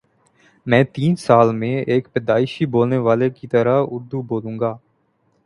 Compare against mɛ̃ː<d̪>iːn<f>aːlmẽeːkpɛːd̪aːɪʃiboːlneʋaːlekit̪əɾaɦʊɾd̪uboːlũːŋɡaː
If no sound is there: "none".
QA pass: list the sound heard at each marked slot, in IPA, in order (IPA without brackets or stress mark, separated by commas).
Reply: t̪, s